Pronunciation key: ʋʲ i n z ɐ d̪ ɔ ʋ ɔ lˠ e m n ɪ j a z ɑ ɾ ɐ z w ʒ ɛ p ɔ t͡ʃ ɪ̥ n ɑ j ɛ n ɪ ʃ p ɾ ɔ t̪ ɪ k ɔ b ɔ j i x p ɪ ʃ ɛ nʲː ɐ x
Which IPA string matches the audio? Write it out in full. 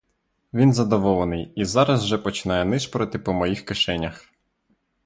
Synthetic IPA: ʋʲ i n z ɐ d̪ ɔ ʋ ɔ lˠ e n ɪ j i z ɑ ɾ ɐ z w ʒ ɛ p ɔ t͡ʃ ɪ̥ n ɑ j ɛ n ɪ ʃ p ɾ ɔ t̪ ɪ p ɔ m ɔ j i x k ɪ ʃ ɛ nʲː ɐ x